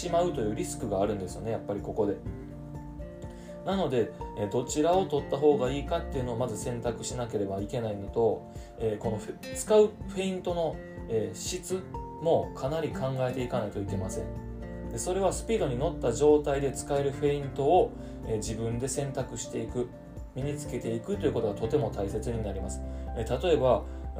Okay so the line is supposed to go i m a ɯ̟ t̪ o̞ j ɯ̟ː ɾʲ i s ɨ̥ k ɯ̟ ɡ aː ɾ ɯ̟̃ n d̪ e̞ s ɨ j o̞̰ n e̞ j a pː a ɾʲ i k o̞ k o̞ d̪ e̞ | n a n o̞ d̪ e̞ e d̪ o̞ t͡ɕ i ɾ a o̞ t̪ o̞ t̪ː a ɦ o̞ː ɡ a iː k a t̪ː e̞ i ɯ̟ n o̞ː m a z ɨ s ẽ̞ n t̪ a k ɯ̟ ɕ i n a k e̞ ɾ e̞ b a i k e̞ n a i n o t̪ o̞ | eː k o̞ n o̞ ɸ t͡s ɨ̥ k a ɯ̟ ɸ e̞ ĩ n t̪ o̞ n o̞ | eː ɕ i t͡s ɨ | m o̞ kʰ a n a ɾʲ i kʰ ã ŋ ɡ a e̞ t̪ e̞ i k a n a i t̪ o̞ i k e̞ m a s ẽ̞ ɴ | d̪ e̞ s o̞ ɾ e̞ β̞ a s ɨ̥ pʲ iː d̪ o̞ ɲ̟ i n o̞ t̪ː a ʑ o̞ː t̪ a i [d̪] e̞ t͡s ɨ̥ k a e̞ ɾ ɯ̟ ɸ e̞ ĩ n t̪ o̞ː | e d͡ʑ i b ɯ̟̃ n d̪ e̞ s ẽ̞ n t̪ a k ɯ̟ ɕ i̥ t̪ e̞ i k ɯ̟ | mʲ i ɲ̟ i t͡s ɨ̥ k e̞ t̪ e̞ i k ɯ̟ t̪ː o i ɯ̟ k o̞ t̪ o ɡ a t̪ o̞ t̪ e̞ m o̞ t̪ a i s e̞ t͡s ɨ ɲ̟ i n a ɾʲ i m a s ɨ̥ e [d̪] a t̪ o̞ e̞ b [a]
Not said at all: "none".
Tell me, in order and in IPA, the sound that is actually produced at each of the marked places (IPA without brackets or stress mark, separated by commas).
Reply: d̪, t̪, a